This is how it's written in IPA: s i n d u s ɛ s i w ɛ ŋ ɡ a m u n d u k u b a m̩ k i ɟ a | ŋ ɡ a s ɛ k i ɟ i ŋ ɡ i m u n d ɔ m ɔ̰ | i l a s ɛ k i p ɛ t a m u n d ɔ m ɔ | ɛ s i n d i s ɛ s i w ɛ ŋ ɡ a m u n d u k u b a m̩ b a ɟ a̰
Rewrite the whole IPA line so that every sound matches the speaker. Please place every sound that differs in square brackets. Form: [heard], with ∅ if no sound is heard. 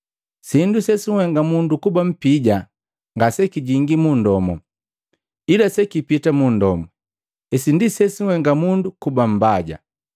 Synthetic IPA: s i n d u s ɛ s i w ɛ ŋ ɡ a m u n d u k u b a m̩ [p] i ɟ a | ŋ ɡ a s ɛ k i ɟ i ŋ ɡ i m u n d ɔ m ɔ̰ | i l a s ɛ k i p [i] t a m u n d ɔ m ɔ | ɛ s i n d i s ɛ s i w ɛ ŋ ɡ a m u n d u k u b a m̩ b a ɟ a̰